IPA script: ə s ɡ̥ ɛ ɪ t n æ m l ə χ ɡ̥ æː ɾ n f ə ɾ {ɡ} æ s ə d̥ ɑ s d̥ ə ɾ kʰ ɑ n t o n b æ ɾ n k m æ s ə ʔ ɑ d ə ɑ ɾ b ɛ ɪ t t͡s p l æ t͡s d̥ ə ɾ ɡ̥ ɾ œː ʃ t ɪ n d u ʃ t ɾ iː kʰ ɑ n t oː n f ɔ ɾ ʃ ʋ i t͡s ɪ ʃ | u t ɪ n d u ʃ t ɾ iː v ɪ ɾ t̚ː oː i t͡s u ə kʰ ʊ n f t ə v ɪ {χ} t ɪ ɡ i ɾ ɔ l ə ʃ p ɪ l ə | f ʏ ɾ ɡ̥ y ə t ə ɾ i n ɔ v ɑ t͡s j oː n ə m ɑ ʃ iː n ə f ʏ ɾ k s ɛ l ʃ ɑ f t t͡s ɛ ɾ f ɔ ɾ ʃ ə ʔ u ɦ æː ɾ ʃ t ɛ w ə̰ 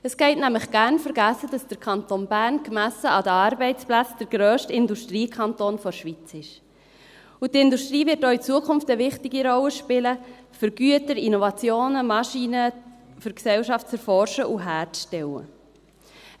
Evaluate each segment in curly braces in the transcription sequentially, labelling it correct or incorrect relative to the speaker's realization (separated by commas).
correct, correct